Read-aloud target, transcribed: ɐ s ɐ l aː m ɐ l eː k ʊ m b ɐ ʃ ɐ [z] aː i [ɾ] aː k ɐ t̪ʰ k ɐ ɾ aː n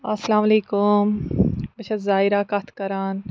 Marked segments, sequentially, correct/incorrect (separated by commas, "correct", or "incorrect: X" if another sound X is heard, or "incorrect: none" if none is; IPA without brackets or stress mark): correct, correct